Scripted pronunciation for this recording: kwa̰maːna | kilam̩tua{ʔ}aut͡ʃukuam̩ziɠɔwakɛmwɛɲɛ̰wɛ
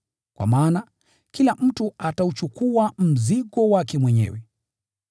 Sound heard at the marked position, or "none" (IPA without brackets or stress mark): t